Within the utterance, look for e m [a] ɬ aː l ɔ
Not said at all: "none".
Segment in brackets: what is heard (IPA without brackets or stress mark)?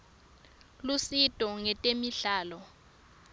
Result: i